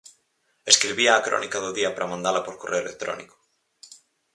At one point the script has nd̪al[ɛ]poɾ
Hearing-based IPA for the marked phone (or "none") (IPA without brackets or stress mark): a